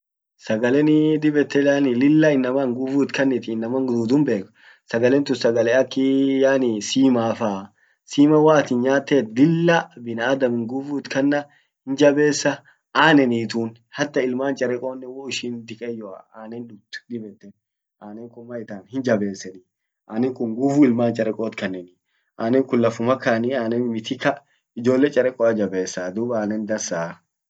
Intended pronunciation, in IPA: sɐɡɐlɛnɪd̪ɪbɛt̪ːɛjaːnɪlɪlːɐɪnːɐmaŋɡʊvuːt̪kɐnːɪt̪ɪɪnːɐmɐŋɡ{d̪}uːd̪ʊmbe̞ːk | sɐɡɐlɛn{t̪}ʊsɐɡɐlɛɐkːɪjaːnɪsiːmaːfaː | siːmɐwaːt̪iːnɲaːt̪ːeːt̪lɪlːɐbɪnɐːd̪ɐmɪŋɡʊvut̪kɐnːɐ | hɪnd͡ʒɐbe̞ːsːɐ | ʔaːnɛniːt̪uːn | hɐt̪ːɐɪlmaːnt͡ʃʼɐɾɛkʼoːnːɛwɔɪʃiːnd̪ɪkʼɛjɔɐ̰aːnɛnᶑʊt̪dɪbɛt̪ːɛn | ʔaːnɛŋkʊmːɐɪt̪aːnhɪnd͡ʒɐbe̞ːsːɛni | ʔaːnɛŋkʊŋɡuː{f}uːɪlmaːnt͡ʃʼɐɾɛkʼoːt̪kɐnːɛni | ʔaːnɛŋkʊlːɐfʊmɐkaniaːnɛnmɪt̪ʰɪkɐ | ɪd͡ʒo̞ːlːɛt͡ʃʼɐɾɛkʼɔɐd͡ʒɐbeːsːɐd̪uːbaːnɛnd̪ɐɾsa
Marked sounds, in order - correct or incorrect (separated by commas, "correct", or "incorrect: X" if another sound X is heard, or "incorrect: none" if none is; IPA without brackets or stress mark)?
correct, correct, correct